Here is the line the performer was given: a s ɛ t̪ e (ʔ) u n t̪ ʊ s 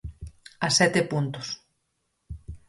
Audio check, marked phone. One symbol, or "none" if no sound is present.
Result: p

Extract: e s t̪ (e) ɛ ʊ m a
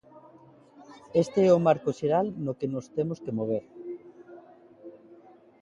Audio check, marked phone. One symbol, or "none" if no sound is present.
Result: e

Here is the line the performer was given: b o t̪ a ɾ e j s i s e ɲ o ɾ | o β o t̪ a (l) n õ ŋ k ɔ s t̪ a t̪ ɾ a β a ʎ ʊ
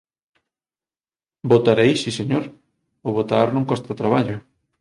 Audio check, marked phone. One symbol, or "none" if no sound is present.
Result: ɾ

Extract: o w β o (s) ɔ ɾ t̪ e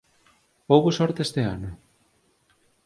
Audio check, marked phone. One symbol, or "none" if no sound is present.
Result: s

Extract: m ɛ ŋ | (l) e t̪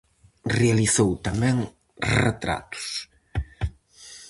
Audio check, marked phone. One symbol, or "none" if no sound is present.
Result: r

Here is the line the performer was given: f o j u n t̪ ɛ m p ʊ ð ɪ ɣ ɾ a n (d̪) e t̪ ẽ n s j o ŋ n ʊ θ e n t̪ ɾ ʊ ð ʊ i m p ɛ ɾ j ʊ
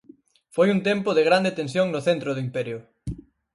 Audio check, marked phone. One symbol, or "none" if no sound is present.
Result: d̪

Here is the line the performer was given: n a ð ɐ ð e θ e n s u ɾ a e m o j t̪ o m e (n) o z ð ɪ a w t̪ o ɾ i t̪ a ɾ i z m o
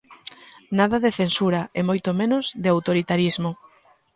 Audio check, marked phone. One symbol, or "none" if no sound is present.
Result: n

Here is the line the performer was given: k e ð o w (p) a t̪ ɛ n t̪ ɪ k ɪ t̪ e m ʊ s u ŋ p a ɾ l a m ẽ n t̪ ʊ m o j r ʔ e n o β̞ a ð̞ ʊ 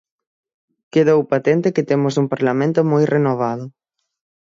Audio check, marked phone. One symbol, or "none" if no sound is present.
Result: p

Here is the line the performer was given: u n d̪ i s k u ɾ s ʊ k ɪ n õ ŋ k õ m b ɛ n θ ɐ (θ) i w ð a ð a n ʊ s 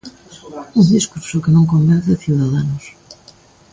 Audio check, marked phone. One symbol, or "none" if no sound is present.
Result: θ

